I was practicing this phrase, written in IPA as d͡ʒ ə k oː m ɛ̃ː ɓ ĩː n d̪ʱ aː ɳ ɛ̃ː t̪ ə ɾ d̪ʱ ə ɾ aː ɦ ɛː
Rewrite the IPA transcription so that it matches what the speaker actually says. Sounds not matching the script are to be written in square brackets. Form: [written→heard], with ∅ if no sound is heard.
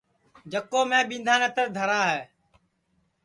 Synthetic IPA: d͡ʒ ə k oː m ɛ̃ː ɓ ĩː n d̪ʱ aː [ɳ→n] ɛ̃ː t̪ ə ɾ d̪ʱ ə ɾ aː ɦ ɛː